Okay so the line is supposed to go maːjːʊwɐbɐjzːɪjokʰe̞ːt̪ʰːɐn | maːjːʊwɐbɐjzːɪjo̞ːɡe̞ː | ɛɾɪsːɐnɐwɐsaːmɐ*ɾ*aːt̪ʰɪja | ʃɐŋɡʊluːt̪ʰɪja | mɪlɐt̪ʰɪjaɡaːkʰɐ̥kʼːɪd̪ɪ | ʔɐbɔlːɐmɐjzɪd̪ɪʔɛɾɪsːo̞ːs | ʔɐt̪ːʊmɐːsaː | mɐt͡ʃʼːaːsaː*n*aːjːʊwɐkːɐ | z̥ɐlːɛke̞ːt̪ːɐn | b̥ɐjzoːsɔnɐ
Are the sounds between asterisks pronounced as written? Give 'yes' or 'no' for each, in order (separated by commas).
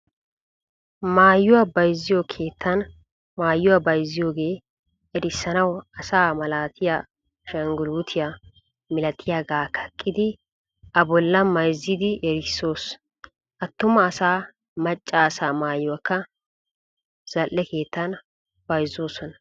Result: no, no